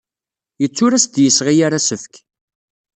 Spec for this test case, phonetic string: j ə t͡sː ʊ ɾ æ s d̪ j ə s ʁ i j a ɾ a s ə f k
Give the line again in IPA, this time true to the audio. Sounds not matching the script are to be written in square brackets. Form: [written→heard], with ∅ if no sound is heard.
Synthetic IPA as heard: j ə t͡sː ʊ ɾ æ s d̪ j ə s ʁ i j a ɾ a s ə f k

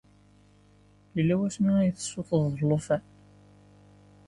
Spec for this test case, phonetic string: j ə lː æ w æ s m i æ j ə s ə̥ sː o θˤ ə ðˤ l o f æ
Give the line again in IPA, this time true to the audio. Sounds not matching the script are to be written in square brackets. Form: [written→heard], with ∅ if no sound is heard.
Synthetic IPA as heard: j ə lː æ w æ s m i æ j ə [s→θ] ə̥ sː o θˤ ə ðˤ l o f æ

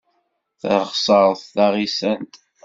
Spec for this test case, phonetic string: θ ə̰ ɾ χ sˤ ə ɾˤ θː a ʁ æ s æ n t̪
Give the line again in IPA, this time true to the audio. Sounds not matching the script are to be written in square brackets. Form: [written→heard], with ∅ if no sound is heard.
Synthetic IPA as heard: θ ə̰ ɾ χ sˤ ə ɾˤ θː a ʁ [æ→i] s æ n t̪

